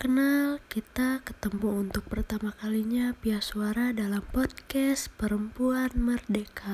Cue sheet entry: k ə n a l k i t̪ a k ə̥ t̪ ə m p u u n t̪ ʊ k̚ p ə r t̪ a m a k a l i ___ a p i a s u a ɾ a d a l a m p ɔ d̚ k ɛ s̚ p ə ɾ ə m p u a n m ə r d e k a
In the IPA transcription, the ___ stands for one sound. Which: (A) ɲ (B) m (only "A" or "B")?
A